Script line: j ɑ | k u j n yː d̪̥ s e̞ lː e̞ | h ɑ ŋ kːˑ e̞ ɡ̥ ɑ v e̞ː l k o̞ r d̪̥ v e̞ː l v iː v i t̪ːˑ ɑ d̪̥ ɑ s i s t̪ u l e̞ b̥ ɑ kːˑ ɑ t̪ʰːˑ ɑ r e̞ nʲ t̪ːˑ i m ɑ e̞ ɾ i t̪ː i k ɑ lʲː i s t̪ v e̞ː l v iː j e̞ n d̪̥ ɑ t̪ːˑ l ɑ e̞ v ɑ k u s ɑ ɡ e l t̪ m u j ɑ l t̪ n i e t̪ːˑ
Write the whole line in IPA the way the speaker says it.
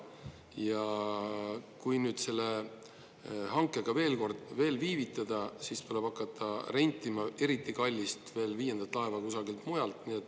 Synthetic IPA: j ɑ | k u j n yː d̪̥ s e̞ lː e̞ | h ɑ ŋ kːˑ e̞ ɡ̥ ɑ v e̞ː l k o̞ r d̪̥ v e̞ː l v iː v i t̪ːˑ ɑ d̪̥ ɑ s i s t̪ u l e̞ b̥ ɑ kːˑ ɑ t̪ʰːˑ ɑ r e̞ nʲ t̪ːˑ i m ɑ e̞ ɾ i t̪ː i k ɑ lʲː i s t̪ v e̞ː l v iː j e̞ n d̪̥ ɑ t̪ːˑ l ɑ e̞ v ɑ k u s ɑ ɡ i l t̪ m u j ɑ l t̪ n i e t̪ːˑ